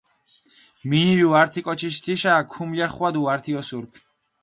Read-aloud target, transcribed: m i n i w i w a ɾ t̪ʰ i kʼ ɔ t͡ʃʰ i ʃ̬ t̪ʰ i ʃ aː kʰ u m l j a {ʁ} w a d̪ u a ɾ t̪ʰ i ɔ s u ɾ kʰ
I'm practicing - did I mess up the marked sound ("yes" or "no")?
yes